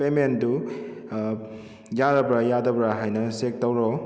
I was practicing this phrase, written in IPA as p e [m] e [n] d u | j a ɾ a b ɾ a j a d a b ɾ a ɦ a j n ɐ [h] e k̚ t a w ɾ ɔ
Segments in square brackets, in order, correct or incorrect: correct, correct, incorrect: s

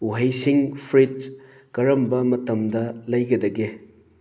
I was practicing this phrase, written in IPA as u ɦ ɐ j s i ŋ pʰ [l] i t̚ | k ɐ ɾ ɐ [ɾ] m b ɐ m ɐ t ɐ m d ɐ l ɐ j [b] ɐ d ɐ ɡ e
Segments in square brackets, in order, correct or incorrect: incorrect: ɾ, incorrect: none, incorrect: ɡ

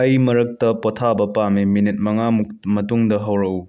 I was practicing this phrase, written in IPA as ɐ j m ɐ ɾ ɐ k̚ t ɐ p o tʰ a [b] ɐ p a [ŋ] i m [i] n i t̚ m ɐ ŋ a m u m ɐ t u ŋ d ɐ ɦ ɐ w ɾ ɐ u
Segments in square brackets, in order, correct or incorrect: correct, incorrect: m, correct

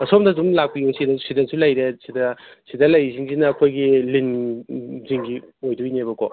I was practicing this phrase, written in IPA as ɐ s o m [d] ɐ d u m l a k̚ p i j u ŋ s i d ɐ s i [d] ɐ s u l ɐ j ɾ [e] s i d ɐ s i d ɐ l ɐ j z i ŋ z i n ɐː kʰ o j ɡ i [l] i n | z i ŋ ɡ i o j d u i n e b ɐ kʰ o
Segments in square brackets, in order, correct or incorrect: correct, correct, correct, correct

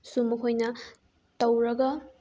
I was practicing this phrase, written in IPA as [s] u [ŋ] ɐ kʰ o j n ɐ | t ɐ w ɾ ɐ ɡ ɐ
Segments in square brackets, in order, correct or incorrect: correct, incorrect: m

